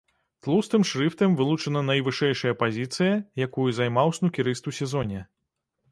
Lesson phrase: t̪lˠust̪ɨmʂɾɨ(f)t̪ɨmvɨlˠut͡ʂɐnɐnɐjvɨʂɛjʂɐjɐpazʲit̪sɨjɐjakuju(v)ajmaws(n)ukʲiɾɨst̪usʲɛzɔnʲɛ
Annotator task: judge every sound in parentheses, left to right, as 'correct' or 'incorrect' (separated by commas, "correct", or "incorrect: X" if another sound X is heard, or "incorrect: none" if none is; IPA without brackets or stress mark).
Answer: correct, incorrect: z, correct